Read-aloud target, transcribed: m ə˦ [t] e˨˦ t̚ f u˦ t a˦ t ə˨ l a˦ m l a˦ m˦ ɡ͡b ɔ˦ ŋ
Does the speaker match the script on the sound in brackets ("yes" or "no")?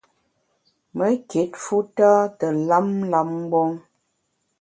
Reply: no